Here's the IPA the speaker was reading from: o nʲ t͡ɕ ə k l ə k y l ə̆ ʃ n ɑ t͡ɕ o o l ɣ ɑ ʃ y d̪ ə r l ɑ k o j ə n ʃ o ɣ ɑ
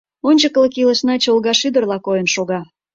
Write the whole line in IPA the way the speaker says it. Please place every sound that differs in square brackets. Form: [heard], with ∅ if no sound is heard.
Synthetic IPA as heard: o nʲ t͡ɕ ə k l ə k [i] l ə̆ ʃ n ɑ t͡ɕ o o l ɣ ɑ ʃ y d̪ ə r l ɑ k o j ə n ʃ o ɣ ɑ